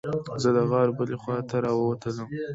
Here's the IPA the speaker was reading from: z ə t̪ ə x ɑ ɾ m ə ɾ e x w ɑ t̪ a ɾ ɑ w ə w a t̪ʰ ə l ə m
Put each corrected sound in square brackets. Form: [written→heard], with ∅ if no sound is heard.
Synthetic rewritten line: z ə [t̪→d̪] ə [x→ɣ] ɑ ɾ [m→b] ə [ɾ→l] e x w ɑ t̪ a ɾ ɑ w ə w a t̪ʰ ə l ə m